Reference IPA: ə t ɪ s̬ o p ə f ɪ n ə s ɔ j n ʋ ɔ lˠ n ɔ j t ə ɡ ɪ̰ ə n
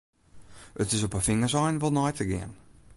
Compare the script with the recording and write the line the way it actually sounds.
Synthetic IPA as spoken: ə t ɪ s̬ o p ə f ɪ ŋ ə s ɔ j n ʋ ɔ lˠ n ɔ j t ə ɡ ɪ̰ ə n